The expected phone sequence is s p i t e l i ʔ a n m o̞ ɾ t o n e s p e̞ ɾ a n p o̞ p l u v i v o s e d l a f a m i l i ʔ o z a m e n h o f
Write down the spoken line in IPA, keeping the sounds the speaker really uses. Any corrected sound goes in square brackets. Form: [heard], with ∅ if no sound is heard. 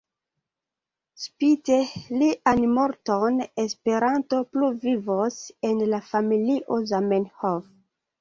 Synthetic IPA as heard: s p i t e l i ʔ a n m o̞ ɾ t o n e s p e̞ ɾ a n [t] o̞ p l u v i v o s e [n] l a f a m i l i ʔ o z a m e n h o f